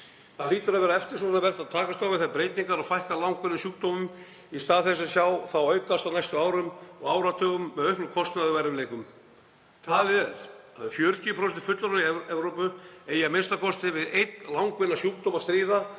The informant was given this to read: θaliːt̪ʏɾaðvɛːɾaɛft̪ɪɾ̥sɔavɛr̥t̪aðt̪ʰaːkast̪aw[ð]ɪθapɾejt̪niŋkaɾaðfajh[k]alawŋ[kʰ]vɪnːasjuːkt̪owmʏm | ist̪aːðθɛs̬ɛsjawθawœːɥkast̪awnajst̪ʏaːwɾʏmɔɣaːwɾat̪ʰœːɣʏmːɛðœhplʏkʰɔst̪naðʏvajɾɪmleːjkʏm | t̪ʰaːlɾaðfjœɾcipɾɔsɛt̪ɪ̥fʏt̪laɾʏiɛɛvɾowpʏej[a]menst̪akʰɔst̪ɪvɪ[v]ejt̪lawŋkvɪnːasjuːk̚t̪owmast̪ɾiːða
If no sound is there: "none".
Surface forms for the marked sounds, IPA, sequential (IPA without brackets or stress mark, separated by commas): v, k, k, a, ð